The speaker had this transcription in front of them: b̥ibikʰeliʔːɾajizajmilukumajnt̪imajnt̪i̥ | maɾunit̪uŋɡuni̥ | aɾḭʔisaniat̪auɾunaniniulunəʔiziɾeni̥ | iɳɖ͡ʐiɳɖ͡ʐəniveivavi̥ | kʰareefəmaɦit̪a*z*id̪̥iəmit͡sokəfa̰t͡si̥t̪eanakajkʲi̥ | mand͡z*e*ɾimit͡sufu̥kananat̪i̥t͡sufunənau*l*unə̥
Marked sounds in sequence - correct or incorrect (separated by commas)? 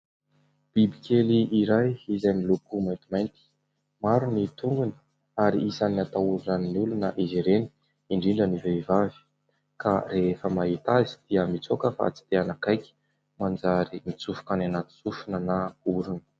correct, incorrect, incorrect